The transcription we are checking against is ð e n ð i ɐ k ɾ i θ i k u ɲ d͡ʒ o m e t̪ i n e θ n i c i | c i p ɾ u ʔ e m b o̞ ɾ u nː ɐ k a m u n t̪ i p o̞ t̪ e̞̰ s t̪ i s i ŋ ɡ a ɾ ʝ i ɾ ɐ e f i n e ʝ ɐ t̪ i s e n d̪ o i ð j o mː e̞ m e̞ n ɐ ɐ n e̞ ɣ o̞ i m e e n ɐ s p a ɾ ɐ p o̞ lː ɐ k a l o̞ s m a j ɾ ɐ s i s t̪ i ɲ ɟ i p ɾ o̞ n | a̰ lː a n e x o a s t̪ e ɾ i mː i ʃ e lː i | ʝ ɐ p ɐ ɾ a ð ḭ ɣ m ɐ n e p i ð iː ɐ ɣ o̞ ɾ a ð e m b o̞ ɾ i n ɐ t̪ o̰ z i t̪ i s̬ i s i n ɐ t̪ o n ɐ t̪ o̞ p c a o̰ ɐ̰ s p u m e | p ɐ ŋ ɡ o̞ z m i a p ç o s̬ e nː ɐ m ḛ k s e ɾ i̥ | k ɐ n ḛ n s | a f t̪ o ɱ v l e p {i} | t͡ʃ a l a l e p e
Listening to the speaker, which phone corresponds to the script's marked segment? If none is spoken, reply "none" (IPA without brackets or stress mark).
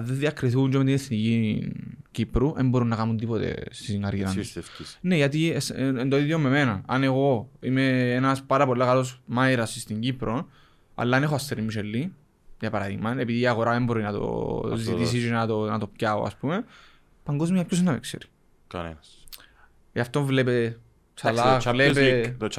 e